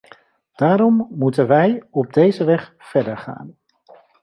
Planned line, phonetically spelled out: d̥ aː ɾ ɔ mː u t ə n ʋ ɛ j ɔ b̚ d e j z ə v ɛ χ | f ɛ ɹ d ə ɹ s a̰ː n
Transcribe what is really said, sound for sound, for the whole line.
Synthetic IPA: d̥ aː ɾ ɔ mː u t ə n ʋ ɛ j ɔ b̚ d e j z ə ʋ ɛ χ | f ɛ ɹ d ə ɹ χ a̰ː n